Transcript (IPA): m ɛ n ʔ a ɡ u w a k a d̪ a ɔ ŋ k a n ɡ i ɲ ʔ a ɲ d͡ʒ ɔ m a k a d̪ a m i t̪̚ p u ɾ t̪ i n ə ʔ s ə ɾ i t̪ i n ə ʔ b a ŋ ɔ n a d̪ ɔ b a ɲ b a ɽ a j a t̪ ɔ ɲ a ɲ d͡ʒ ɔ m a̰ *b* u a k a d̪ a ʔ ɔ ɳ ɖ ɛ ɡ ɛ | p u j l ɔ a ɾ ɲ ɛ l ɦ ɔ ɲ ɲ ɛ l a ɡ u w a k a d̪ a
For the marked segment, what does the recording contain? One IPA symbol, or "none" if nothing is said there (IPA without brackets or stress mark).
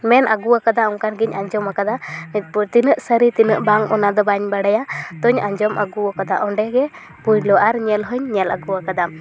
ɡ